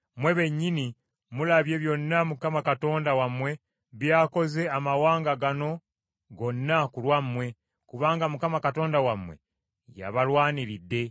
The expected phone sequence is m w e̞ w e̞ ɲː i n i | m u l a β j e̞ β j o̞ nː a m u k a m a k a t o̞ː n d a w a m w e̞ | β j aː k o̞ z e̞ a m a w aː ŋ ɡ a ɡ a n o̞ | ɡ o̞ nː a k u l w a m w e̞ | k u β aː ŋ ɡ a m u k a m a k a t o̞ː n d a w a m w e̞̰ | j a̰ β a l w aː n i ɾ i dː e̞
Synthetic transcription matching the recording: m w e̞ β e̞ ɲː i n i | m u l a β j e̞ β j o̞ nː a m u k a m a k a t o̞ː n d a w a m w e̞ | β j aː k o̞ z e̞ a m a w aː ŋ ɡ a ɡ a n o̞ | ɡ o̞ nː a k u l w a m w e̞ | k u β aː ŋ ɡ a m u k a m a k a t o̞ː n d a w a m w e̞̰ | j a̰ β a l w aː n i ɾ i dː e̞